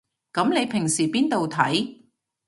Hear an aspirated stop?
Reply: yes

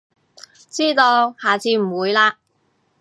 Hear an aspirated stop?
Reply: no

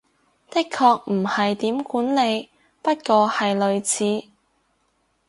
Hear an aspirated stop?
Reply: yes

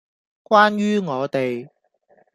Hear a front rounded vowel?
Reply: yes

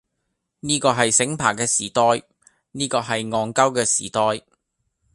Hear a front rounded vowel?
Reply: no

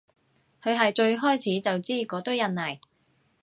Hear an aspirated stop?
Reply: yes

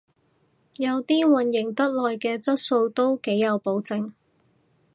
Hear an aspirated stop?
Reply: no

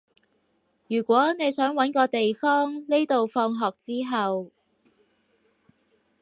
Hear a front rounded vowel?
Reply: yes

